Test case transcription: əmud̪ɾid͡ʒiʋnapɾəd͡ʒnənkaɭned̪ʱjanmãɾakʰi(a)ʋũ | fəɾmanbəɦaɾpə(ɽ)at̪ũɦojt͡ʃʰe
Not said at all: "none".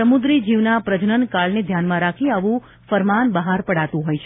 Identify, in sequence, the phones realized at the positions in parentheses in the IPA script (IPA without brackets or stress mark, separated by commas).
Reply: a, ɽ